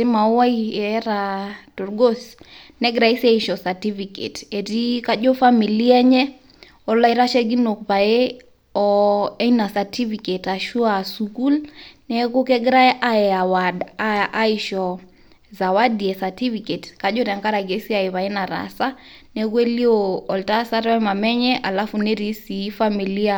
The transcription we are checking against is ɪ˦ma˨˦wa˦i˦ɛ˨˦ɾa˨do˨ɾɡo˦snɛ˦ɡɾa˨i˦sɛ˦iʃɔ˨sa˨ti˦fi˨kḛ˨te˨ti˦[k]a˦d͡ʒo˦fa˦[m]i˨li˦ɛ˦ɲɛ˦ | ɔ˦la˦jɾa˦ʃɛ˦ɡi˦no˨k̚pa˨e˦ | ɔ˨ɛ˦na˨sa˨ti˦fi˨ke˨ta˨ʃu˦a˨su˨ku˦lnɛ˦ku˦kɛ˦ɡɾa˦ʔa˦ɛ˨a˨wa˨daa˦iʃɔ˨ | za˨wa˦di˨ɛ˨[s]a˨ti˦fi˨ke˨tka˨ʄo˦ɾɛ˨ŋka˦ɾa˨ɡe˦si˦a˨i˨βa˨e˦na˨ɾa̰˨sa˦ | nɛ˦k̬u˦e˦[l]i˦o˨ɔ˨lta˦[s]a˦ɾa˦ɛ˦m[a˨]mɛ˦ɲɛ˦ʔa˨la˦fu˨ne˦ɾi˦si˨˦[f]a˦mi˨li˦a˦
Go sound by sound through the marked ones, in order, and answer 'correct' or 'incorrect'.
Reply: correct, correct, correct, correct, correct, correct, correct

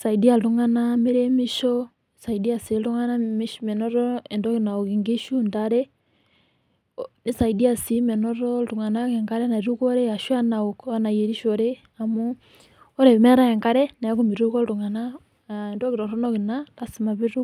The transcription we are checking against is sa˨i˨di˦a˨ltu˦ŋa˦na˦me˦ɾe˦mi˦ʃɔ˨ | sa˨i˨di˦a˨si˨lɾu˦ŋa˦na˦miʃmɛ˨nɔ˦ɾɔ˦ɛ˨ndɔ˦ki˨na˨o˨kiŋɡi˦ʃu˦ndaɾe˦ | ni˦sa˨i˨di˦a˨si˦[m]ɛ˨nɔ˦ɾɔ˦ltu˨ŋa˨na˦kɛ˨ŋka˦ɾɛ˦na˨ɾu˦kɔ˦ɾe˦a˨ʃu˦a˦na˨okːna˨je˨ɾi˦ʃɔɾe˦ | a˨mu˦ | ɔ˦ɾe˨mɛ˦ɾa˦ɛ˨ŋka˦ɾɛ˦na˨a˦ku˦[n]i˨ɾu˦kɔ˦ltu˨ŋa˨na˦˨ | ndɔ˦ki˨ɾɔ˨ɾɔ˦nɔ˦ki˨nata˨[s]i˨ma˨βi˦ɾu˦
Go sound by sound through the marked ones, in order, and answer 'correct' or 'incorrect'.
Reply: correct, incorrect: m, correct

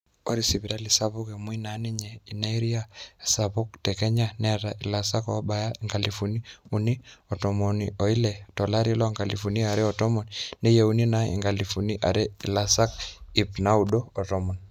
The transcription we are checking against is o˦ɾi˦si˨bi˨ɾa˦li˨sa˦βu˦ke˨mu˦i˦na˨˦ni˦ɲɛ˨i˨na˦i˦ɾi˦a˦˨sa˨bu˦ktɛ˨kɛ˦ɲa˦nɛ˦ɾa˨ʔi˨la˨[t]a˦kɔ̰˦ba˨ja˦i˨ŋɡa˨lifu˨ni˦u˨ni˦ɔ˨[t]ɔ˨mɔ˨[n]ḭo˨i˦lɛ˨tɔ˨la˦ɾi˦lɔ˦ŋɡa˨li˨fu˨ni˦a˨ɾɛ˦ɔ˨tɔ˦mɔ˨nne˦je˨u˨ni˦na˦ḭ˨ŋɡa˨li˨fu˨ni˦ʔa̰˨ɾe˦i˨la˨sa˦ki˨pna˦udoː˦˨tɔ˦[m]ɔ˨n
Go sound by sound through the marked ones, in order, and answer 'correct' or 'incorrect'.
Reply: incorrect: s, correct, correct, correct

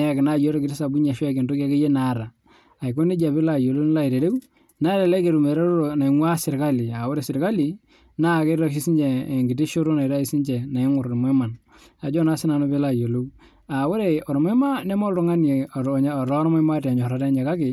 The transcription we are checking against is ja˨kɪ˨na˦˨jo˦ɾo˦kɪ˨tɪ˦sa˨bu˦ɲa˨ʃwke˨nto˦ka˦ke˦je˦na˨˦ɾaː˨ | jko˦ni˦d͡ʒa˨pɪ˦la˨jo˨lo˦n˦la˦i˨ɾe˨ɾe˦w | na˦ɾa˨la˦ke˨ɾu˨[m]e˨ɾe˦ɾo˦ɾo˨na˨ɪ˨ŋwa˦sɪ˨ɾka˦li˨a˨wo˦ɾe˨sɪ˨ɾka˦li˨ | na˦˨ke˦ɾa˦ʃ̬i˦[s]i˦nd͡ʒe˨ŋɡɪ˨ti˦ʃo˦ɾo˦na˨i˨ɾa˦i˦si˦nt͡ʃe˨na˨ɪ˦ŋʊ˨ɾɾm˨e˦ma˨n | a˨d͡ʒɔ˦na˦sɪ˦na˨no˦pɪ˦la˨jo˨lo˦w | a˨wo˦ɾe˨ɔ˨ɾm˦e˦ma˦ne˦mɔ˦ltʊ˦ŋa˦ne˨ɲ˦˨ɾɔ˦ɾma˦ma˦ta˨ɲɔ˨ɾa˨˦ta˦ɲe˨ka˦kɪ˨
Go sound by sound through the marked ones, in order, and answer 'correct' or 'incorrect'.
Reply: correct, correct

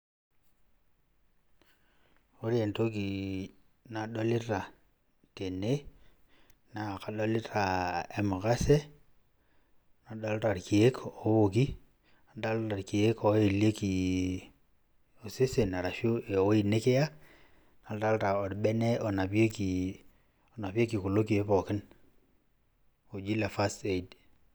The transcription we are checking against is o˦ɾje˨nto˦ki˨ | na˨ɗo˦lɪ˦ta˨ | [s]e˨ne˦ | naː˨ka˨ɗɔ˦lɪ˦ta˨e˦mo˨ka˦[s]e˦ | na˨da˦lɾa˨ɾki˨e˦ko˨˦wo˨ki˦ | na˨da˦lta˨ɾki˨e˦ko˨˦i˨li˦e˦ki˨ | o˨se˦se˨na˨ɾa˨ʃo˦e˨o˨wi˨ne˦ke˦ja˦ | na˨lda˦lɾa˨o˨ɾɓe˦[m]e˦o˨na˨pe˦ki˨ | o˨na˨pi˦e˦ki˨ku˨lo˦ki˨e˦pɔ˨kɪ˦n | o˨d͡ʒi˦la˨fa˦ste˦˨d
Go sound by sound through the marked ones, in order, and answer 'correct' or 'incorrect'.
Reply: incorrect: t, correct, incorrect: n

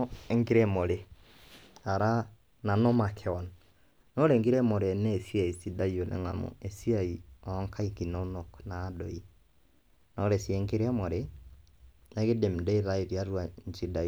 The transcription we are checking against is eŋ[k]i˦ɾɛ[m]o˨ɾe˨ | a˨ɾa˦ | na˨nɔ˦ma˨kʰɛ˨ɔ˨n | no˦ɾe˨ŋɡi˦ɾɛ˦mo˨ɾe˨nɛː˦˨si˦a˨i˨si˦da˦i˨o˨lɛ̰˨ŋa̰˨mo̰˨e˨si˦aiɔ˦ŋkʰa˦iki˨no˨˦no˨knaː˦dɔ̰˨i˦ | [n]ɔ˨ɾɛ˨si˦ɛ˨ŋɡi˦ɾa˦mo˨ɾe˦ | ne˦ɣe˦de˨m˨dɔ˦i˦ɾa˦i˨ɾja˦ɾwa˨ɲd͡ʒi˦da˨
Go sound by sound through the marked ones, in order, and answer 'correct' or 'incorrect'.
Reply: incorrect: ɡ, correct, correct

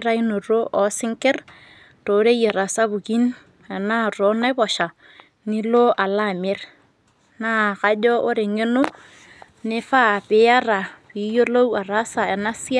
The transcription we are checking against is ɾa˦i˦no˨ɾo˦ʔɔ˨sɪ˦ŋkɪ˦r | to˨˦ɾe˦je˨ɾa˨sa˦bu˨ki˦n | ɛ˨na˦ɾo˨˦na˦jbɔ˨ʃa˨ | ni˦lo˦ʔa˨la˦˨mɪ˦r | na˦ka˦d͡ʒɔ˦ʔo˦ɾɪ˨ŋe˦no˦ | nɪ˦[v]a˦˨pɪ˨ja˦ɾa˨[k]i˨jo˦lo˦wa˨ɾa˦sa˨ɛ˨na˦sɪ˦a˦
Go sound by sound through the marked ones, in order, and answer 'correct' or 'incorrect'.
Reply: incorrect: f, incorrect: p

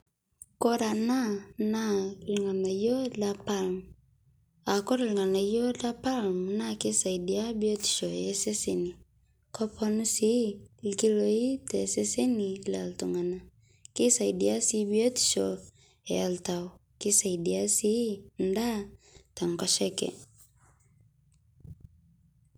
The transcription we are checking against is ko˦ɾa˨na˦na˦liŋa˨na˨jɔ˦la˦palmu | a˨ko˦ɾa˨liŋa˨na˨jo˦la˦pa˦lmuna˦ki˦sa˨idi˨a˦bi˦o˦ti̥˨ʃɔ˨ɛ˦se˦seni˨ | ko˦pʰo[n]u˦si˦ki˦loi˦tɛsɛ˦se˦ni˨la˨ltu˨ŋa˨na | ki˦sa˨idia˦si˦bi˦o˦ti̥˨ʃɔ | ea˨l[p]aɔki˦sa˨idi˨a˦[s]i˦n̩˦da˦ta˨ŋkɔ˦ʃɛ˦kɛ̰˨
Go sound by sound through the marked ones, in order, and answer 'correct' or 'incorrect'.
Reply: correct, incorrect: t, correct

